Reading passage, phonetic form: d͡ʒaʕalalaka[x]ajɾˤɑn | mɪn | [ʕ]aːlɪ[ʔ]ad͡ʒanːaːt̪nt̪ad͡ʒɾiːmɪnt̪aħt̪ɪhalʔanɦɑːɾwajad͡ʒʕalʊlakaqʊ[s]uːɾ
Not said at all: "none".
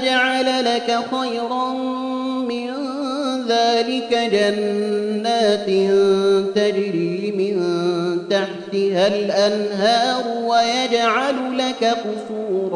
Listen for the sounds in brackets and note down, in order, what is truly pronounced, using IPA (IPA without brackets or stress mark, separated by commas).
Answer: x, ð, k, s